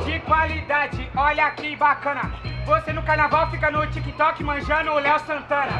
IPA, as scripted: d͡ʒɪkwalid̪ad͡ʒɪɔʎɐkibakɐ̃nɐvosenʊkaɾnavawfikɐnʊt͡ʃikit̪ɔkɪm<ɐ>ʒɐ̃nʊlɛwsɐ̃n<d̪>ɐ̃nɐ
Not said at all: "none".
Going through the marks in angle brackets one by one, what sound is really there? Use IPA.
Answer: ɐ̃, t̪

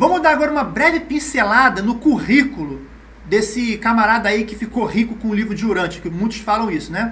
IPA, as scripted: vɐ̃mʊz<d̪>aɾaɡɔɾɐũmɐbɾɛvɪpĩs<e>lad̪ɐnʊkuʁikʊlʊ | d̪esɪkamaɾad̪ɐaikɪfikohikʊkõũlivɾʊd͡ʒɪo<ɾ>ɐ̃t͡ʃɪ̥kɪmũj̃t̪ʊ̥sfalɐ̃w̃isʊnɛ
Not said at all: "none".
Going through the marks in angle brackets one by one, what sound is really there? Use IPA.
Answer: d̪, e, ɾ

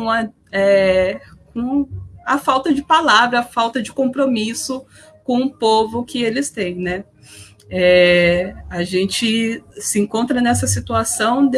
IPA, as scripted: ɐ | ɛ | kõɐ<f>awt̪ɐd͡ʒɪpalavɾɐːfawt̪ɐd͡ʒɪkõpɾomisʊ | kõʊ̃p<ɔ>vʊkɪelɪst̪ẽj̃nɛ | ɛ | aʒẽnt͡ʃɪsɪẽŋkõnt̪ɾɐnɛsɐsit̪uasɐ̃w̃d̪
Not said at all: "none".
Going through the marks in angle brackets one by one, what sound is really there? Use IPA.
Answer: f, o

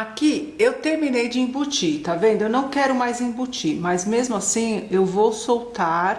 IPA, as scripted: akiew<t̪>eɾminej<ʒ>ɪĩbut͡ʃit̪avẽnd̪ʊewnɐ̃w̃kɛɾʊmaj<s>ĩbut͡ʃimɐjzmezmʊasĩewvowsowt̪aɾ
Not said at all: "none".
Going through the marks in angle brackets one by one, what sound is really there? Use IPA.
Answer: t̪, d͡ʒ, z

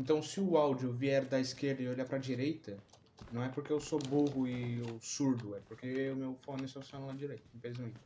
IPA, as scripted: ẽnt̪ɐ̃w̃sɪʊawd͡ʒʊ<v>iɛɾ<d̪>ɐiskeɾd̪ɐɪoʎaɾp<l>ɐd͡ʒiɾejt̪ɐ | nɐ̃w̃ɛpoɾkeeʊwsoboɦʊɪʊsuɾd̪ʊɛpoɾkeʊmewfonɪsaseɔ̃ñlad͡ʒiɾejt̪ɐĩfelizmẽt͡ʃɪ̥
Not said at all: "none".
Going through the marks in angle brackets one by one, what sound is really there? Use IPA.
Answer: v, d̪, ɾ

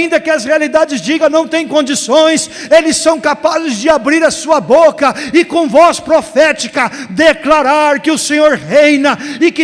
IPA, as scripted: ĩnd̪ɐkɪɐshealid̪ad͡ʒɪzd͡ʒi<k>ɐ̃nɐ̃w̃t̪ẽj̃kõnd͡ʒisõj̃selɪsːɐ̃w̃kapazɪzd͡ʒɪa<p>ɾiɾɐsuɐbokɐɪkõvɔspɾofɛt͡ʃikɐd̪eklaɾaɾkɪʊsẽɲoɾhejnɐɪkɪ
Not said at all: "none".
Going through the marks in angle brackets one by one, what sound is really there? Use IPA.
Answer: ɡ, b

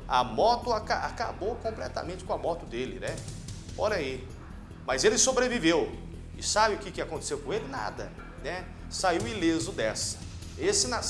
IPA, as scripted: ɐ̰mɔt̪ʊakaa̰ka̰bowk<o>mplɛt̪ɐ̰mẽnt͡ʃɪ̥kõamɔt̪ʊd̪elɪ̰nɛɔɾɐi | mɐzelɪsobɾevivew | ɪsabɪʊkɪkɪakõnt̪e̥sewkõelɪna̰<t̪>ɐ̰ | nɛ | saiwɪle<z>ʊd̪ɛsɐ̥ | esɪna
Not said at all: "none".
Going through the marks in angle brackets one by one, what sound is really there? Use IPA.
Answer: õ, d̪, z

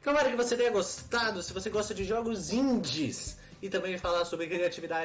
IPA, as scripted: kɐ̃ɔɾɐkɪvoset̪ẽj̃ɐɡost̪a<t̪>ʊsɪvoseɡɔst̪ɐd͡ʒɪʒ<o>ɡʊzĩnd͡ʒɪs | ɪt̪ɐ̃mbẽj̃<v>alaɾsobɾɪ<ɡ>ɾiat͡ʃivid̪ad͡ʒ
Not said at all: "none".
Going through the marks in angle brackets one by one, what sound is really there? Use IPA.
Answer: d̪, ɔ, f, k

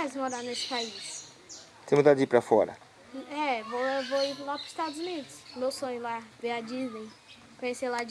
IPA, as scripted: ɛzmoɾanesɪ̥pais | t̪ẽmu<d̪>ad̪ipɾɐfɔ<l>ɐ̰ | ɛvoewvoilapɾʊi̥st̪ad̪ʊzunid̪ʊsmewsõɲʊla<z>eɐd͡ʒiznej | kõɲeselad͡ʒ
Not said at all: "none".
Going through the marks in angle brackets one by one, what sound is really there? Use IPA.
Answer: d̪, ɾ, v

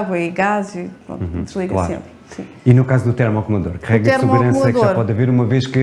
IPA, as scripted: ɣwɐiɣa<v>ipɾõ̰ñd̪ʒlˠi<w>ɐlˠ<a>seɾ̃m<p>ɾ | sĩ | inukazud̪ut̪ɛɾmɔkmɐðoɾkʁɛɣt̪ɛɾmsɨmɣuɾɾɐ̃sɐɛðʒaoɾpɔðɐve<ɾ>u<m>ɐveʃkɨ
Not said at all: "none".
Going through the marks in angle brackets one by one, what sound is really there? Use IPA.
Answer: z, ɣ, a, p, ɾ, m

